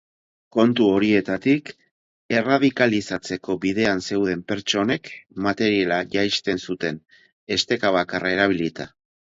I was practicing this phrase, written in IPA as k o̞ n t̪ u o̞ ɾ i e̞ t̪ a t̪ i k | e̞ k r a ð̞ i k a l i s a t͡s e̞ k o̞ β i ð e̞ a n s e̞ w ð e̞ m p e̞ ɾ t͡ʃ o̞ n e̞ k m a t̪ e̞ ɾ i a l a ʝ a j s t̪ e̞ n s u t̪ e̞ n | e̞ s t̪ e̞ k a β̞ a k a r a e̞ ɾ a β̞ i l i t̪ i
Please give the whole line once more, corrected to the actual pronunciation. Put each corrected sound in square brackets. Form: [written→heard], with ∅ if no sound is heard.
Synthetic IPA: k o̞ n t̪ u o̞ ɾ i e̞ t̪ a t̪ i k | e̞ [k→∅] r a ð̞ i k a l i s a t͡s e̞ k o̞ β i ð e̞ a n s e̞ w ð e̞ m p e̞ ɾ t͡ʃ o̞ n e̞ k m a t̪ e̞ ɾ i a l a ʝ a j s t̪ e̞ n s u t̪ e̞ n | e̞ s t̪ e̞ k a β̞ a k a r a e̞ ɾ a β̞ i l i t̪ [i→a]